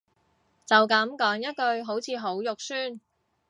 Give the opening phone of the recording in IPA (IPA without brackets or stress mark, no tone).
t͡s